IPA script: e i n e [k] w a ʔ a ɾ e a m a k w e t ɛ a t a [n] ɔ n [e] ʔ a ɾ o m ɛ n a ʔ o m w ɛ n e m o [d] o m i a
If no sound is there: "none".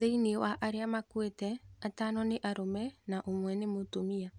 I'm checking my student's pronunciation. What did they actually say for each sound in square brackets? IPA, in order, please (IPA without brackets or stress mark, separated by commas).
none, n, e, t